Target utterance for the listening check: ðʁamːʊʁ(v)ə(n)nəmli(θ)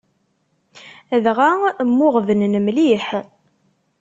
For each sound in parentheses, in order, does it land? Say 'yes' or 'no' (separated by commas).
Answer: yes, yes, no